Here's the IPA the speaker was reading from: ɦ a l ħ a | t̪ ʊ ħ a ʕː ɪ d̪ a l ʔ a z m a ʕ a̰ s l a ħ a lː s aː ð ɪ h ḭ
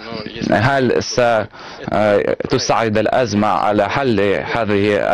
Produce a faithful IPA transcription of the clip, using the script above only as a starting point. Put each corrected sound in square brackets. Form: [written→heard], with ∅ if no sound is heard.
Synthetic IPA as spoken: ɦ a l [ħ→s] a | t̪ ʊ [ħ→s] a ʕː ɪ d̪ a l ʔ a z m a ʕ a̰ [s→∅] l a ħ a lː [s→h] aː ð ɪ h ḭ

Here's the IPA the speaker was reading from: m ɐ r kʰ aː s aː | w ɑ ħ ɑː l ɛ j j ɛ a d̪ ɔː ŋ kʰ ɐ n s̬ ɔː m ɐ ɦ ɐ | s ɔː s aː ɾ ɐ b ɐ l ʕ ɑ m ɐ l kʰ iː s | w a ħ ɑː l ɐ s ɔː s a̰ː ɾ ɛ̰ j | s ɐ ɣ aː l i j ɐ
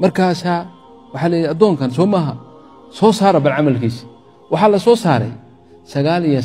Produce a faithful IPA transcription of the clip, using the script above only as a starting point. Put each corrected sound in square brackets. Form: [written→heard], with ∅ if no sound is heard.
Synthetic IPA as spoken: m ɐ r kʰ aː s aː | w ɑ ħ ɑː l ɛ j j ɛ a d̪ ɔː ŋ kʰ ɐ n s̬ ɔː m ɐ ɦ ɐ | s ɔː s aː ɾ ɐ b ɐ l ʕ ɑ m ɐ l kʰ iː s | w [a→ɑ] ħ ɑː l ɐ s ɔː s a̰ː ɾ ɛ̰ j | s ɐ ɣ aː l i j ɐ

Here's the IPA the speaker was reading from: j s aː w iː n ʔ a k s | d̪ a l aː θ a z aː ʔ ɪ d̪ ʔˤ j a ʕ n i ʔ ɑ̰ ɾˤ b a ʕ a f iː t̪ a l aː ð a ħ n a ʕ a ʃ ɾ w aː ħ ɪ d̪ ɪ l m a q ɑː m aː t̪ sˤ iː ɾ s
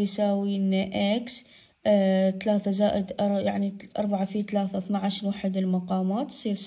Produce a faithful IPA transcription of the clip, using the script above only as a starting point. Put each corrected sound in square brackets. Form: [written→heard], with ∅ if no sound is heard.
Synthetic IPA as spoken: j s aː w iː n ʔ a k s | [d̪→t̪] a l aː θ a z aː ʔ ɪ d̪ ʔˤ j a ʕ n i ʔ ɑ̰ ɾˤ b a ʕ a f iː t̪ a l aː [ð→θ] a [ħ→θ] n a ʕ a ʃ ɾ w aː ħ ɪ d̪ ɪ l m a q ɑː m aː t̪ sˤ iː ɾ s

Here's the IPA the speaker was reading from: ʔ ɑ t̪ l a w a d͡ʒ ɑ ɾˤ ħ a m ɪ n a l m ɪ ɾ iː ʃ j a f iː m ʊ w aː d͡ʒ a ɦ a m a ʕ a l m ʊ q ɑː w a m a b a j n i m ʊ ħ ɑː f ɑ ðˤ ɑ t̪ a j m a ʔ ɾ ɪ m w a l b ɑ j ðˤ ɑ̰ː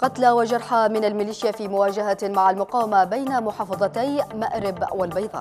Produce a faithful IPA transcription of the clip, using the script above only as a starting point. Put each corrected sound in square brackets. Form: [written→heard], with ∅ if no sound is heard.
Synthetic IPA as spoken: [ʔ→q] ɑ t̪ l a w a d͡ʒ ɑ ɾˤ ħ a m ɪ n a l m ɪ [ɾ→l] iː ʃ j a f iː m ʊ w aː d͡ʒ a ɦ a m a ʕ a l m ʊ q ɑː w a m a b a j n [i→a] m ʊ ħ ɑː f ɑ ðˤ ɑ t̪ a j m a ʔ ɾ ɪ [m→b] w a l b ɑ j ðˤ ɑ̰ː

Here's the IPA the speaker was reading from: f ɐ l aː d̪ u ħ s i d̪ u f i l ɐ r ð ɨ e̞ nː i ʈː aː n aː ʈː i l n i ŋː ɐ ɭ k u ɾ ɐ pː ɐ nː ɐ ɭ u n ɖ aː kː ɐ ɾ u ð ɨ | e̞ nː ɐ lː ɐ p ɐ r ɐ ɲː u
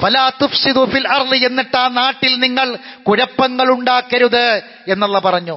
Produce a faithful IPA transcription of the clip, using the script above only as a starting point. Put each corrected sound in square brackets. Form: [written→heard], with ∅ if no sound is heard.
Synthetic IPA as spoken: f ɐ l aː [d̪→t̪] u [ħ→f] s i d̪ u f i l ɐ r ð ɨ e̞ nː i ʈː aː n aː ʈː i l n i ŋː ɐ ɭ k u ɾ ɐ pː ɐ [nː→ŋː] ɐ ɭ u [n→ɳ] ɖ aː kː ɐ ɾ u ð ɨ | e̞ nː ɐ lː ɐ p ɐ r ɐ ɲː u

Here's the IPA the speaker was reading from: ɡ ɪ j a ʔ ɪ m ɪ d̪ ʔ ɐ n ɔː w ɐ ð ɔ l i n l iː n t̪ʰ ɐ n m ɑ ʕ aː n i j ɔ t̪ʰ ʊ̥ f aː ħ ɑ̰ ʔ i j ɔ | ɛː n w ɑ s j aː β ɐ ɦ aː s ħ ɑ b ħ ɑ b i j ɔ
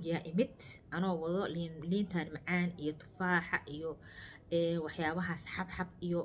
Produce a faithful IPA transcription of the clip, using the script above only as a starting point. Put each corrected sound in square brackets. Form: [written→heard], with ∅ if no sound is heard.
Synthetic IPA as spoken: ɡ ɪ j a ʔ ɪ m ɪ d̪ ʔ ɐ n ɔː w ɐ ð ɔ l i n l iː n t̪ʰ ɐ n m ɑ ʕ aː n i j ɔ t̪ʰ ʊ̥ f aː ħ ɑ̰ ʔ i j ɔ | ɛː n w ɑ [s→ħ] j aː β ɐ ɦ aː s ħ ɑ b ħ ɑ b i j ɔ

